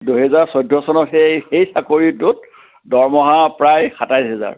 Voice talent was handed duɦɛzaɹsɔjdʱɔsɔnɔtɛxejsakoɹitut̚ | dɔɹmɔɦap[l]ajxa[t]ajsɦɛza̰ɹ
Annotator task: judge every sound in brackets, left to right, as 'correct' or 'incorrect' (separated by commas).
incorrect, correct